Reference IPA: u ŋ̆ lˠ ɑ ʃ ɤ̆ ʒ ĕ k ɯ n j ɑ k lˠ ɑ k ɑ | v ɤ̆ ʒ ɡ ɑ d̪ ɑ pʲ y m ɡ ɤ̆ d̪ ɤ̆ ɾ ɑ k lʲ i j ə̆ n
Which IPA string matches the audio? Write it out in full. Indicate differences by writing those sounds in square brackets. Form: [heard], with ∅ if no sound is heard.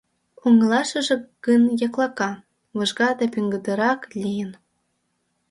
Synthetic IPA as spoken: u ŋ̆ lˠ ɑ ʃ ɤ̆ ʒ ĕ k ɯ n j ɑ k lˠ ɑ k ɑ | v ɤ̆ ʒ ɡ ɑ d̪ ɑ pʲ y [ŋ] ɡ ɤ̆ d̪ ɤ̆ ɾ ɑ k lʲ i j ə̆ n